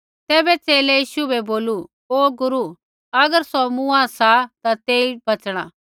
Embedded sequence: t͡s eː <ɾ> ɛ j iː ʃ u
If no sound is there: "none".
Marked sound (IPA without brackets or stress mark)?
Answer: l